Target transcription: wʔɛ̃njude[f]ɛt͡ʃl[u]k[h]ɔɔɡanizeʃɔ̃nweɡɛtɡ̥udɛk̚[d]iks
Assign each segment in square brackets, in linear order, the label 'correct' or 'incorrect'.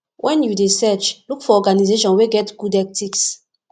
incorrect, correct, incorrect, incorrect

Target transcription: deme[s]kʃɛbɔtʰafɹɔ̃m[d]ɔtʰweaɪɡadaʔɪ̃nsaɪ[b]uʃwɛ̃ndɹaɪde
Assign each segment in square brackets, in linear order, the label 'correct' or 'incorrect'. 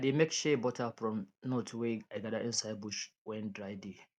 incorrect, incorrect, correct

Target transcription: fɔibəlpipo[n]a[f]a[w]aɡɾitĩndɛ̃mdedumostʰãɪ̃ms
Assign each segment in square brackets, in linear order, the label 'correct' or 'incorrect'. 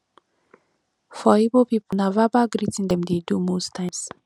correct, incorrect, incorrect

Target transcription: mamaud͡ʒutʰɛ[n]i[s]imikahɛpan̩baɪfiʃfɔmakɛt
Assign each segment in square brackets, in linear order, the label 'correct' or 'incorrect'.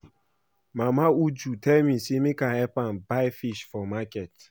incorrect, correct

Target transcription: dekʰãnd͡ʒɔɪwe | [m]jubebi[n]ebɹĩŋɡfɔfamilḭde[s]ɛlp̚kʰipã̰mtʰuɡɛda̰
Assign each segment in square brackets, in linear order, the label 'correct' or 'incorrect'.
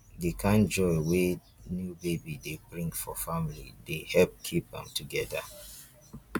incorrect, incorrect, incorrect

